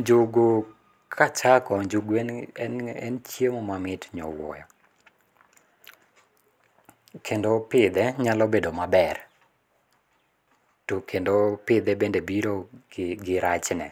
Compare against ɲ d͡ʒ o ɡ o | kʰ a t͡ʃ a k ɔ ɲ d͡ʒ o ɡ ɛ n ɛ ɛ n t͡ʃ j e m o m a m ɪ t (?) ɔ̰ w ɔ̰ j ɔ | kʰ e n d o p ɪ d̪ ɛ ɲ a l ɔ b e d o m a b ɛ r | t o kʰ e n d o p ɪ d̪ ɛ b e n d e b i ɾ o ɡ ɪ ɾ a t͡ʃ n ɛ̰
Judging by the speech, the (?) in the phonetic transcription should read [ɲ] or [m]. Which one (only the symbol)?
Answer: ɲ